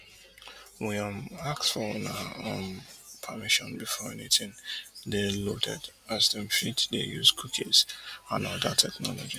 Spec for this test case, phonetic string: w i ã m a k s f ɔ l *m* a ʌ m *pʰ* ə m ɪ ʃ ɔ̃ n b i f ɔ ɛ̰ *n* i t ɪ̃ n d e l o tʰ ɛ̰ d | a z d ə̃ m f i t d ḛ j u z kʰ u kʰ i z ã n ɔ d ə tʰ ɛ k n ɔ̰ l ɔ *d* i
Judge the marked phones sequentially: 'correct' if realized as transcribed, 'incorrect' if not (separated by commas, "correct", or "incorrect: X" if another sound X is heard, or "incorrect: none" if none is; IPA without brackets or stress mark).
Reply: incorrect: n, correct, correct, incorrect: d͡ʒ